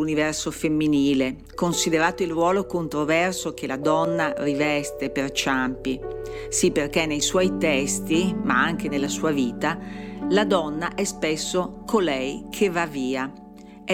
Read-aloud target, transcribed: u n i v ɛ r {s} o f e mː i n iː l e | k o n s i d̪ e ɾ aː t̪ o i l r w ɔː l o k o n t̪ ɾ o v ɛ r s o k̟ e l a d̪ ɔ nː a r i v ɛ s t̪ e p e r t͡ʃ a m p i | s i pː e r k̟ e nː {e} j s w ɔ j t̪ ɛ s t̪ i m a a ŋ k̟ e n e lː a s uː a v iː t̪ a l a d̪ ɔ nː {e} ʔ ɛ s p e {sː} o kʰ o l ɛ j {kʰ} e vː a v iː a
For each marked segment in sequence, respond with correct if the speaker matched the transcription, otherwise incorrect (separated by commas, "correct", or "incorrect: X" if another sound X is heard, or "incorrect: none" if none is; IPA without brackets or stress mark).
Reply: correct, correct, incorrect: a, correct, correct